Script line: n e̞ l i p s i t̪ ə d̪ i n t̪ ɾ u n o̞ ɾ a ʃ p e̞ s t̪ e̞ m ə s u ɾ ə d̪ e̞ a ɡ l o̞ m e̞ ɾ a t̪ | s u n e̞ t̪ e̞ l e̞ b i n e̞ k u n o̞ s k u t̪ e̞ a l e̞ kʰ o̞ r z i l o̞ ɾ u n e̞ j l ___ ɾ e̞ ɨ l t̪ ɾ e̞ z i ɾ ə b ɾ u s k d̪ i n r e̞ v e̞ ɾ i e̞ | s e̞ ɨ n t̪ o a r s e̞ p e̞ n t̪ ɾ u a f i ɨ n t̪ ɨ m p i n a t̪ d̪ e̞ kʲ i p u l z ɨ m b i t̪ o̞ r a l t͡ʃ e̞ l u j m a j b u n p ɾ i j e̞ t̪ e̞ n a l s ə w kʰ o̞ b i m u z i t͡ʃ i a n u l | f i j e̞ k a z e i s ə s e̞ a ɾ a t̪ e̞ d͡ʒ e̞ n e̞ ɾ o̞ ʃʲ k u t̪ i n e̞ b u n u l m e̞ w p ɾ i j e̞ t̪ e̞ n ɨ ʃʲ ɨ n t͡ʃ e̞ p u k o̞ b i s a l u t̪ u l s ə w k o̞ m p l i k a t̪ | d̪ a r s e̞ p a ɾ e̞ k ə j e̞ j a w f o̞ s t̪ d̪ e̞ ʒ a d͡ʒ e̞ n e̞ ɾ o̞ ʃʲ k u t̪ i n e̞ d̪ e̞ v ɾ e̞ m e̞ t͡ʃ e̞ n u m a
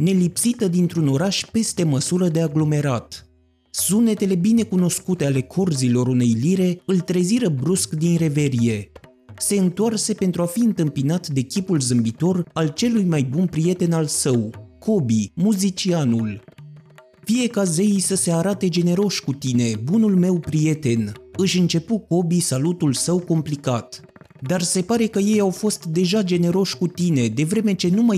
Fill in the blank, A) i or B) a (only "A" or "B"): A